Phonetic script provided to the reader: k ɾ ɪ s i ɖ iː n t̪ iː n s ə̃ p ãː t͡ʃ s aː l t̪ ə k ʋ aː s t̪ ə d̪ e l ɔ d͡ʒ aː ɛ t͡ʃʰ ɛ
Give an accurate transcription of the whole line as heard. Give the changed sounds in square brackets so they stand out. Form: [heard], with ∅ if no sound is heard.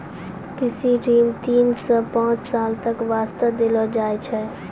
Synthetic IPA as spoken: k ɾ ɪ s i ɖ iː [m] t̪ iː n s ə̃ p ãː t͡ʃ s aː l t̪ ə k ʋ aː s t̪ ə d̪ e l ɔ d͡ʒ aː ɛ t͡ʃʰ ɛ